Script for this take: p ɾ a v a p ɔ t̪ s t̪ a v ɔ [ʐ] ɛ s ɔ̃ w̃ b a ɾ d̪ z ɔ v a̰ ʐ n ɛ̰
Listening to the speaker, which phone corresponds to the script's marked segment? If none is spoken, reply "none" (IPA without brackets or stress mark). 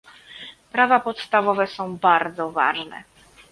v